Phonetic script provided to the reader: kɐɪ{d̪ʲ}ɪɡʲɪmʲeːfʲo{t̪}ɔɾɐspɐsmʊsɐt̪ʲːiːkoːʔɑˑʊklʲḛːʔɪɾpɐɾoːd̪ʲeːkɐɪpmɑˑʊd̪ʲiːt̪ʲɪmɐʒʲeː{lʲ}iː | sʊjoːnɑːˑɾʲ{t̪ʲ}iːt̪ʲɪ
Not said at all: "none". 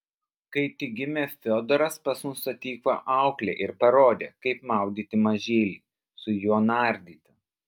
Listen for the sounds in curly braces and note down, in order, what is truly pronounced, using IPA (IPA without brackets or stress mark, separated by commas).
t̪ʲ, d̪, lʲ, d̪ʲ